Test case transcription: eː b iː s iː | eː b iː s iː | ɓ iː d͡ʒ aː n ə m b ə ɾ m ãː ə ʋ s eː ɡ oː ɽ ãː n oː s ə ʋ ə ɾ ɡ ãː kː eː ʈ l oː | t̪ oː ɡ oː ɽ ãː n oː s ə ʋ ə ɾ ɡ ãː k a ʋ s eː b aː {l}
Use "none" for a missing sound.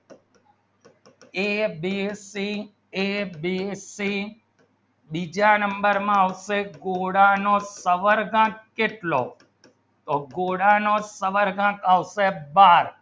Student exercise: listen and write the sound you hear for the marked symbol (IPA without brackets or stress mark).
ɾ